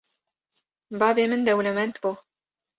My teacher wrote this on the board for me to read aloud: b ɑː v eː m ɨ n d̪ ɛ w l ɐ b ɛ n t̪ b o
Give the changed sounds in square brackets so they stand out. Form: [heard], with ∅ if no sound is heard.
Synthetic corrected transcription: b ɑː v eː m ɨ n d̪ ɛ w l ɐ [m] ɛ n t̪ b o